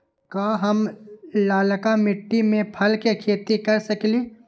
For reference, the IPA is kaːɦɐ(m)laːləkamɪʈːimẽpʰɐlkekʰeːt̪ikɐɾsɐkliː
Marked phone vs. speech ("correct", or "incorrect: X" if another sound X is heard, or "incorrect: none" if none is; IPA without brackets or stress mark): correct